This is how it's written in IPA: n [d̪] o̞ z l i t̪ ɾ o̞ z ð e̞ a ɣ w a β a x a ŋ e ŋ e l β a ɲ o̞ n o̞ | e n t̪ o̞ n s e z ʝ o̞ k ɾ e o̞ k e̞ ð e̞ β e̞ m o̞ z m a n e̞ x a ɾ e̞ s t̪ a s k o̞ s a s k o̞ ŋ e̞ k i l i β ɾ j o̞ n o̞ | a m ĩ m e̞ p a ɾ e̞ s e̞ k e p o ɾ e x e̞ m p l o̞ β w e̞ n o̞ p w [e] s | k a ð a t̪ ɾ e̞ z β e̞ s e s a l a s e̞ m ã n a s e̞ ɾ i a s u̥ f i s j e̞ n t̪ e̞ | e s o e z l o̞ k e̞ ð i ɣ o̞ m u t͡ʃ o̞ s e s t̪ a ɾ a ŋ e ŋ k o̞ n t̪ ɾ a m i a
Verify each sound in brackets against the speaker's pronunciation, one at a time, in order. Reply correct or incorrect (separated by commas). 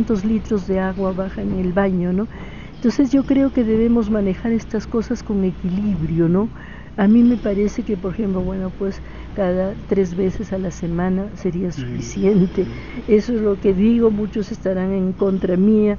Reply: incorrect, correct